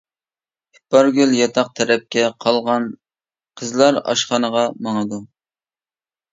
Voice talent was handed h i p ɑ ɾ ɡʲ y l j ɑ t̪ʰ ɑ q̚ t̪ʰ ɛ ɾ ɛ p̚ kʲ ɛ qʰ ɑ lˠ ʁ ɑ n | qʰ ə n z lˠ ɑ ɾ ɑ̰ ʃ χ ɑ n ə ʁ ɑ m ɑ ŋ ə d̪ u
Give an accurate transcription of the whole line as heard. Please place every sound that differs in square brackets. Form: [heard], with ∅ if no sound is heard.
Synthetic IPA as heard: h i p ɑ ɾ ɡʲ y l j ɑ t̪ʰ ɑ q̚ t̪ʰ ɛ ɾ ɛ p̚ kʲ ɛ qʰ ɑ lˠ ʁ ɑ n | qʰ ə [∅] z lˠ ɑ ɾ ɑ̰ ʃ χ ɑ n ə ʁ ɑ m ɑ ŋ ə d̪ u